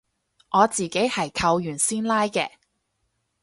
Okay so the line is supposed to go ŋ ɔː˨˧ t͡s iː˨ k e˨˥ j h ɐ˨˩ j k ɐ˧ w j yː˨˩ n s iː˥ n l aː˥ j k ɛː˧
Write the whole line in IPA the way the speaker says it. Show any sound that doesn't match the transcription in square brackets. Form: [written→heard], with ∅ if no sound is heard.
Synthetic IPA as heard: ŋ ɔː˨˧ t͡s iː˨ k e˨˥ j h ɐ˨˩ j [k→kʰ] ɐ˧ w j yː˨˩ n s iː˥ n l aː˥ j k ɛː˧